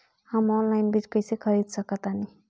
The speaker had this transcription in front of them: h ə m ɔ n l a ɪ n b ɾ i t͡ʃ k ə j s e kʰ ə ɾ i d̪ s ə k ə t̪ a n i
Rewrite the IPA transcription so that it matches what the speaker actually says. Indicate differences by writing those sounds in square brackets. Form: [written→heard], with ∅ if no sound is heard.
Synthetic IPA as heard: h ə m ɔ n l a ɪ n b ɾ i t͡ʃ k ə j s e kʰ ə ɾ i d̪ s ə k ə t̪ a n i